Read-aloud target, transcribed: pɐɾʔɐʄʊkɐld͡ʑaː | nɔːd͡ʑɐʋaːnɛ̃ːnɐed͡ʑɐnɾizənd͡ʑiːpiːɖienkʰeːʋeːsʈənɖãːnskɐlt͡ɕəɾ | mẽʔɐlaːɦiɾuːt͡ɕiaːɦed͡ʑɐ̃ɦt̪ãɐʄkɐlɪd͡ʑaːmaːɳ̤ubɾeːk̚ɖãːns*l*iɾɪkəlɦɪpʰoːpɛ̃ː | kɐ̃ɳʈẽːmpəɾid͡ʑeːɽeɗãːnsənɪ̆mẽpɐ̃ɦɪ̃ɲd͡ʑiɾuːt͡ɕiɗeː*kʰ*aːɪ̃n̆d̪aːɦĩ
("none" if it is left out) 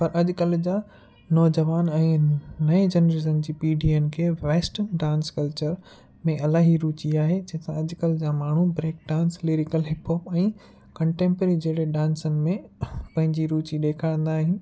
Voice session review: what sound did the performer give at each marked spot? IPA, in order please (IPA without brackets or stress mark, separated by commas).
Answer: l, kʰ